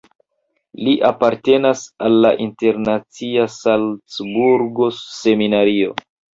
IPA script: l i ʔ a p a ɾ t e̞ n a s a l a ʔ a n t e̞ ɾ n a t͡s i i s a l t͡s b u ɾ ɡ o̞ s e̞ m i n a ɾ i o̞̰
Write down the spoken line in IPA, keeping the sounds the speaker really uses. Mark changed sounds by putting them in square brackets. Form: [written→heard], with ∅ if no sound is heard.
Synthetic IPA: l i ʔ a p a ɾ t e̞ n a s a [l→lː] a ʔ [a→i] n t e̞ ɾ n a t͡s i [i→a] s a l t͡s b u ɾ ɡ o̞ s e̞ m i n a ɾ i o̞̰